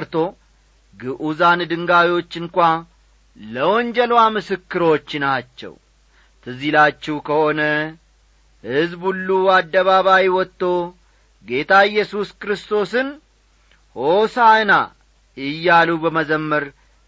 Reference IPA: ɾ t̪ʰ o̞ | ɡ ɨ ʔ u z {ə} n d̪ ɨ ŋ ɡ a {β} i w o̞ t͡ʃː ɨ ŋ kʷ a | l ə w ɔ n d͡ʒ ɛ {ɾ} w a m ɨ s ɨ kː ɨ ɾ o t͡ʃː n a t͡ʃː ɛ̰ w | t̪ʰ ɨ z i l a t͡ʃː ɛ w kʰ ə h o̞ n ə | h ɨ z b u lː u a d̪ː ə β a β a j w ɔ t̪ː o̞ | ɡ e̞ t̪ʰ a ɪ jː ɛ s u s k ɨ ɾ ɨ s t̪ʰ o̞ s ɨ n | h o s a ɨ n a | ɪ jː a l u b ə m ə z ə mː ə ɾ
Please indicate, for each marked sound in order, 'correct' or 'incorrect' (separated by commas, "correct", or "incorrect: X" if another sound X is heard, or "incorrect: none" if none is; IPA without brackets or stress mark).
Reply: incorrect: a, incorrect: w, incorrect: l